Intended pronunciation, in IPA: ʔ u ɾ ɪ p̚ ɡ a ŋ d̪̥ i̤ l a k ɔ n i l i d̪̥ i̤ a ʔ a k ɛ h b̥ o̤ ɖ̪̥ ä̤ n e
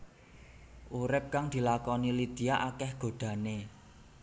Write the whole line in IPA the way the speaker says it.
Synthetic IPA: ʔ u ɾ ɪ p̚ k a ŋ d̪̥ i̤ l a k ɔ n i l i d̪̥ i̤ a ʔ a k ɛ h ɡ̥ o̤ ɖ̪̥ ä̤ n e